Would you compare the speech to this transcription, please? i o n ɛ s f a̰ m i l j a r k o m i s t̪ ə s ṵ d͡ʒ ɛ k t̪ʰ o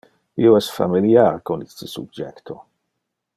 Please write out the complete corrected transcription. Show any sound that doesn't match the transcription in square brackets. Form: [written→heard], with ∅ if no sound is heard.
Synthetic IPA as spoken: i o [n→∅] ɛ s f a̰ m i l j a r k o [m→n] i s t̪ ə s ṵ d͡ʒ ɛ k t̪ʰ o